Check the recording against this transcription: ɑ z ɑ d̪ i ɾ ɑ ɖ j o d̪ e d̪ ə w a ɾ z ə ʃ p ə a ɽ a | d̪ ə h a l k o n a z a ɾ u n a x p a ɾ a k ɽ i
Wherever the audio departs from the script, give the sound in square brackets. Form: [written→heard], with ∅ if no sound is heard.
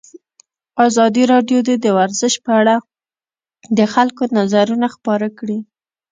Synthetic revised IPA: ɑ z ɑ d̪ i ɾ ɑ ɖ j o d̪ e d̪ ə w a ɾ z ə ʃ p ə a ɽ a | d̪ ə [h→x] a l k o n a z a ɾ u n a x p [a→ɑ] ɾ a k ɽ i